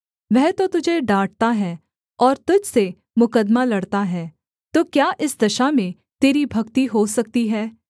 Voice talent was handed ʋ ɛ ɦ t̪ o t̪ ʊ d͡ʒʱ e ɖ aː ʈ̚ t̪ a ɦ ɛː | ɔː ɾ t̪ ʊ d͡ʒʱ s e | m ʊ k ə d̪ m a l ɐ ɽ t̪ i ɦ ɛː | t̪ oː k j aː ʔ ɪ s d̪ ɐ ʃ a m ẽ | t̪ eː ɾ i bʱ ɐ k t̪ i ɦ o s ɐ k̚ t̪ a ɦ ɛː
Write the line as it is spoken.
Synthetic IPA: ʋ ɛ ɦ t̪ o t̪ ʊ d͡ʒʱ e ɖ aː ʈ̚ t̪ a ɦ ɛː | ɔː ɾ t̪ ʊ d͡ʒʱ s e | m ʊ k ə d̪ m a l ɐ ɽ t̪ a ɦ ɛː | t̪ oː k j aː ʔ ɪ s d̪ ɐ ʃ a m ẽ | t̪ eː ɾ i bʱ ɐ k t̪ i ɦ o s ɐ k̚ t̪ i ɦ ɛː

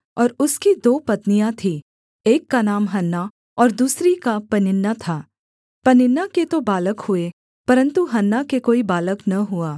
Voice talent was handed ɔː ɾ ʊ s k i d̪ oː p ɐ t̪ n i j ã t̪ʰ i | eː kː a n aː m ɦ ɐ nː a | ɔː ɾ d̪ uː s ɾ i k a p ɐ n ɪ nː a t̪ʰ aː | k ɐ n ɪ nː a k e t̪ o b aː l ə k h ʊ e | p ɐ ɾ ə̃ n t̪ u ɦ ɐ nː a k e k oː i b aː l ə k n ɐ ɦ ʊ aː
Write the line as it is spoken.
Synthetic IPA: ɔː ɾ ʊ s k i d̪ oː p ɐ t̪ n i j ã t̪ʰ i | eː kː a n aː m ɦ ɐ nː a | ɔː ɾ d̪ uː s ɾ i k a p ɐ n ɪ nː a t̪ʰ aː | p ɐ n ɪ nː a k e t̪ o b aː l ə k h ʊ e | p ɐ ɾ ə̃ n t̪ u ɦ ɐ nː a k e k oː i b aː l ə k n ɐ ɦ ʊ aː

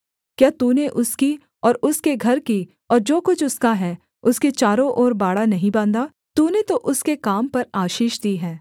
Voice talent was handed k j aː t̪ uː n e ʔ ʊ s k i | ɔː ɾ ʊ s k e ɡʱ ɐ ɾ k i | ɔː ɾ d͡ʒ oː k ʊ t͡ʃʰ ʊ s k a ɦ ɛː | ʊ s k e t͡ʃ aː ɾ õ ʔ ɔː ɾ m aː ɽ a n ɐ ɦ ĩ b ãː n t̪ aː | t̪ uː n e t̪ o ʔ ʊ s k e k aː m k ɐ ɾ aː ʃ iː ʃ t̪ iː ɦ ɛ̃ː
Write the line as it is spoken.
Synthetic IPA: k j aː t̪ uː n e ʔ ʊ s k i | ɔː ɾ ʊ s k e ɡʱ ɐ ɾ k i | ɔː ɾ d͡ʒ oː k ʊ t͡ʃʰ ʊ s k a ɦ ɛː | ʊ s k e t͡ʃ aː ɾ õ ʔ ɔː ɾ b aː ɽ a n ɐ ɦ ĩ b ãː n d̪ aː | t̪ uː n e t̪ o ʔ ʊ s k e k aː m p ɐ ɾ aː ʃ iː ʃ d̪ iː ɦ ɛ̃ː

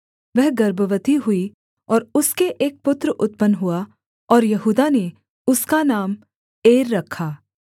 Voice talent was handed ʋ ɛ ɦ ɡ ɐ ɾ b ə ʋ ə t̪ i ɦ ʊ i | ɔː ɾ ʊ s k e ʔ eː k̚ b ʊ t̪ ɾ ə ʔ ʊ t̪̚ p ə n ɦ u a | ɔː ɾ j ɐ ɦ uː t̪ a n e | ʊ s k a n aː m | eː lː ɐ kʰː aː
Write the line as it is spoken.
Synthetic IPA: ʋ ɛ ɦ ɡ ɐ ɾ b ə ʋ ə t̪ i ɦ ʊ i | ɔː ɾ ʊ s k e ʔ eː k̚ p ʊ t̪ ɾ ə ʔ ʊ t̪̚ p ə n ɦ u a | ɔː ɾ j ɐ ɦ uː d̪ a n e | ʊ s k a n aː m | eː ɾː ɐ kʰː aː

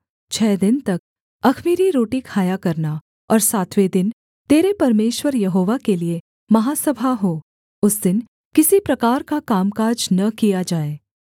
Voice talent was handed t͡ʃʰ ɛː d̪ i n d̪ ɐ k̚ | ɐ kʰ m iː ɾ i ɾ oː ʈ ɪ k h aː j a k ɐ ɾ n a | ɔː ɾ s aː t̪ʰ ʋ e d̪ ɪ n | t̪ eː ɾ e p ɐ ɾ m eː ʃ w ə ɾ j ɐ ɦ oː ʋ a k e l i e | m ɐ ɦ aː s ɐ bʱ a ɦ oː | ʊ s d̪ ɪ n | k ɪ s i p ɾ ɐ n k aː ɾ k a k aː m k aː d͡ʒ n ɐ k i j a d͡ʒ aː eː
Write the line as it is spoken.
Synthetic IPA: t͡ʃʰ ɛː d̪ ɪ n t̪ ɐ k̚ | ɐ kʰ m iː ɾ i ɾ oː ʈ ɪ k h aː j a k ɐ ɾ n a | ɔː ɾ s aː t̪ʰ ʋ e d̪ ɪ n | t̪ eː ɾ e p ɐ ɾ m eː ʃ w ə ɾ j ɐ ɦ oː ʋ a k e l i e | m ɐ ɦ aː s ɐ bʱ a ɦ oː | ʊ s d̪ ɪ n | k ɪ s i p ɾ ɐ k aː ɾ k a k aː m k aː d͡ʒ n ɐ k i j a d͡ʒ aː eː

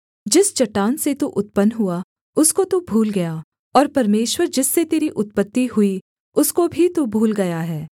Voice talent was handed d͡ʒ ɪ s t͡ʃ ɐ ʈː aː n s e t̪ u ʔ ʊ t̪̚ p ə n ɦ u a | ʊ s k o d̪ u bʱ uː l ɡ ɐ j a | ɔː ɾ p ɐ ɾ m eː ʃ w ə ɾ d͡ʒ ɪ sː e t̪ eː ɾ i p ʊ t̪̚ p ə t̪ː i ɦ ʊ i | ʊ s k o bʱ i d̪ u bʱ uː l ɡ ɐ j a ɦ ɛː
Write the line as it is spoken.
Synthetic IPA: d͡ʒ ɪ s t͡ʃ ɐ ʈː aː n s e t̪ u ʔ ʊ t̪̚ p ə n ɦ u a | ʊ s k o t̪ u bʱ uː l ɡ ɐ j a | ɔː ɾ p ɐ ɾ m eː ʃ w ə ɾ d͡ʒ ɪ sː e t̪ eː ɾ i ʔ ʊ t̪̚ p ə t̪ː i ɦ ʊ i | ʊ s k o bʱ i t̪ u bʱ uː l ɡ ɐ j a ɦ ɛː

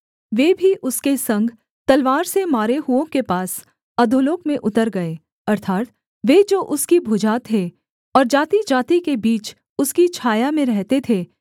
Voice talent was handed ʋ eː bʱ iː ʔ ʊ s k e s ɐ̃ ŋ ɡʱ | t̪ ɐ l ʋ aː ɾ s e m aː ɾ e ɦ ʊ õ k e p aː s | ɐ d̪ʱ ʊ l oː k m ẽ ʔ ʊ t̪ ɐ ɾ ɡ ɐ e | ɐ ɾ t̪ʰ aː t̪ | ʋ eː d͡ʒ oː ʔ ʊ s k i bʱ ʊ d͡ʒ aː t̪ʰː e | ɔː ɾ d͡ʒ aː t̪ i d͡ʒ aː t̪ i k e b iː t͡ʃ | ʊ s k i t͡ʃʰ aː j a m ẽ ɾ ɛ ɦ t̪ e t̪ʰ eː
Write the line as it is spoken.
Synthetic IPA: ʋ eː bʱ i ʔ ʊ s k e s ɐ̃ ŋ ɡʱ | t̪ ɐ l ʋ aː ɾ s e m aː ɾ e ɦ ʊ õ k e p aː s | ɐ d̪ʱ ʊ l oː k m ẽ ʔ ʊ t̪ ə ɾ ɡ ɐ e | ɐ ɾ t̪ʰ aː t̪ | ʋ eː d͡ʒ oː ʔ ʊ s k i bʱ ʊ d͡ʒ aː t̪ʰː e | ɔː ɾ d͡ʒ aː t̪ i d͡ʒ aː t̪ i k e b iː t͡ʃ | ʊ s k i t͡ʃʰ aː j a m ẽ ɾ ɛ ɦ t̪ e t̪ʰ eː

